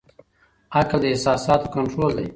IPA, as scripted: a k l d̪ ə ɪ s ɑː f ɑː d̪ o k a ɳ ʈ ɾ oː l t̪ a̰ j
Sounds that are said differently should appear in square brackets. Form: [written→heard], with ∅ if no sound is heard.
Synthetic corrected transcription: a k l d̪ ə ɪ s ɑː [f→s] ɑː [d̪→t̪] o k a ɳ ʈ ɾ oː l [t̪→d̪] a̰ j